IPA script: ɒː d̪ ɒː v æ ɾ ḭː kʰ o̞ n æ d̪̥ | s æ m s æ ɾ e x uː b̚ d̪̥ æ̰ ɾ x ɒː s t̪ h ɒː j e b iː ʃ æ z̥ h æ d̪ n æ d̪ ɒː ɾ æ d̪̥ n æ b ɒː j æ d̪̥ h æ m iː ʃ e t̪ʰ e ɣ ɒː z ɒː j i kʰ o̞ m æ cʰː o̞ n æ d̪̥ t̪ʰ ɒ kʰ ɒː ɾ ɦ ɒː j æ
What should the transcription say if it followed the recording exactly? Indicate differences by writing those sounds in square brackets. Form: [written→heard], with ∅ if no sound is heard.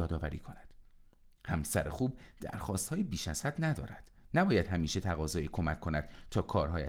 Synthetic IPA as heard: ɒː d̪ ɒː v æ ɾ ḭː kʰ o̞ n æ d̪̥ | [s→h] æ m s æ ɾ e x uː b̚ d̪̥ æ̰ ɾ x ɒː s t̪ h ɒː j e b iː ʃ æ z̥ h æ d̪ n æ d̪ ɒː ɾ æ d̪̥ n æ b ɒː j æ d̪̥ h æ m iː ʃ e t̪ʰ [e→æ] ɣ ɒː z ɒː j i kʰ o̞ m æ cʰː o̞ n æ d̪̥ t̪ʰ [ɒ→ɒː] kʰ ɒː ɾ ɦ ɒː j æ